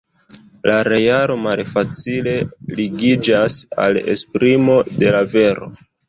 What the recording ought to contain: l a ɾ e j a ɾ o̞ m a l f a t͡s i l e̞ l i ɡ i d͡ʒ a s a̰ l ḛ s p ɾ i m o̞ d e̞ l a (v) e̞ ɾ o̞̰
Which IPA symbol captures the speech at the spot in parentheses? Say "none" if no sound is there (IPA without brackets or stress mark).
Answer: v